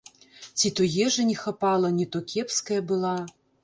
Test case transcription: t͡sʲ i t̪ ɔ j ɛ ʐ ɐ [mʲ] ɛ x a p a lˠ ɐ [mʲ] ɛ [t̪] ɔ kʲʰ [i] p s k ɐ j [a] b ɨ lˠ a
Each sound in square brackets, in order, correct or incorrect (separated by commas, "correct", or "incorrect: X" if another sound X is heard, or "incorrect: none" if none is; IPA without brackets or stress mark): incorrect: nʲ, incorrect: nʲ, correct, incorrect: ɛ, incorrect: ɐ